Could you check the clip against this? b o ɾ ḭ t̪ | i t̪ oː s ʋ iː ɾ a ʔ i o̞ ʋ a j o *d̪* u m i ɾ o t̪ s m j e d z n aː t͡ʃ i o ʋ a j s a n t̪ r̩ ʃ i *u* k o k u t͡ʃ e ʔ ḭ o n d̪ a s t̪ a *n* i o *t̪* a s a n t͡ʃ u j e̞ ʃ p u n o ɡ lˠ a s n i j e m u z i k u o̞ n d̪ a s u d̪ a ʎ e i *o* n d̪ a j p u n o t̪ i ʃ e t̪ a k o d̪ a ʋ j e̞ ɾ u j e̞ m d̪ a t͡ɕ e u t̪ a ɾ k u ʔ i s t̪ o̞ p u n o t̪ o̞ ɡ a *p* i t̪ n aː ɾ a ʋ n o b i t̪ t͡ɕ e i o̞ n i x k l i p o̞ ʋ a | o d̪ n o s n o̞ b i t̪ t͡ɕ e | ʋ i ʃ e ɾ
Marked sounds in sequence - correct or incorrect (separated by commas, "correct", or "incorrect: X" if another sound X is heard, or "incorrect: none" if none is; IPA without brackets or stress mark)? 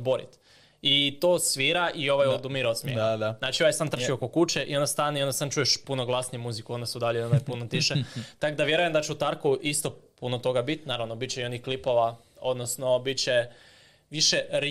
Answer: correct, incorrect: o, correct, incorrect: d̪, correct, incorrect: b